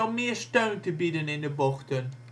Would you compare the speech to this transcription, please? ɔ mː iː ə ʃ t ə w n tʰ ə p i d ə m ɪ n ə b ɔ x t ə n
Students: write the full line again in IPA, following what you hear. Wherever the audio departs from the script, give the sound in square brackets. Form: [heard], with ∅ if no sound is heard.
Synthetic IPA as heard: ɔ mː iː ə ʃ t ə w n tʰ ə [b] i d ə [n] ɪ n ə b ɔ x t ə n